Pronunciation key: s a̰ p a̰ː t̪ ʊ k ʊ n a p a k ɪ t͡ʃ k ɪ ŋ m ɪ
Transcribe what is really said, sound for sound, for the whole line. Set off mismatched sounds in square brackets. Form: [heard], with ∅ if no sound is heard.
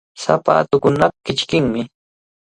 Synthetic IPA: s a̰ p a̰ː t̪ ʊ k ʊ n a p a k ɪ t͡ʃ k ɪ ŋ m ɪ